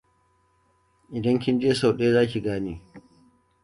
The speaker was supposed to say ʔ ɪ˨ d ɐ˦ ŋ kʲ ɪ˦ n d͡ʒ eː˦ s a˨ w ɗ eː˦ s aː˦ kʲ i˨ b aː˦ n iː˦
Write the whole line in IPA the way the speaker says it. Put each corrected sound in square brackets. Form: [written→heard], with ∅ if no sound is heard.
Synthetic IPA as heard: ʔ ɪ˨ d ɐ˦ ŋ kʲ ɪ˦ n d͡ʒ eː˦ s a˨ w ɗ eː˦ [s→z] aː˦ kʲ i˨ [b→ɡ] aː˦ n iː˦